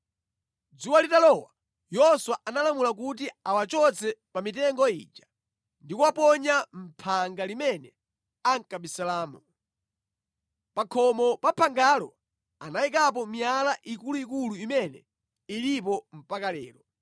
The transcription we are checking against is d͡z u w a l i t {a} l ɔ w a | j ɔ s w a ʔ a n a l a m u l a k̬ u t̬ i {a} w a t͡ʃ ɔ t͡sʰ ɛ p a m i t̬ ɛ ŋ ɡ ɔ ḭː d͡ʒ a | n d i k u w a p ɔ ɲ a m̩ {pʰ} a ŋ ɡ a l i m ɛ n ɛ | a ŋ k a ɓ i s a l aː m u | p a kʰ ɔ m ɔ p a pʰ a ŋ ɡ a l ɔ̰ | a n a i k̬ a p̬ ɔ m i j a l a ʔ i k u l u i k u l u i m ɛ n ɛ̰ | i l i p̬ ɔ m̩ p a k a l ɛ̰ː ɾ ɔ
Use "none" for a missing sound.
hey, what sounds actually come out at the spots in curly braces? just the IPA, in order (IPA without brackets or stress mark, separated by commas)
a, a, pʰ